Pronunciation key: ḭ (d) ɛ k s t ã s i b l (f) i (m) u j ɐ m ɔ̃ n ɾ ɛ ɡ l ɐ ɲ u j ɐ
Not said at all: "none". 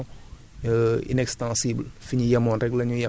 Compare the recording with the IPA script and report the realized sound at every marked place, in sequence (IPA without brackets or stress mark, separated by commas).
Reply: n, f, ɲ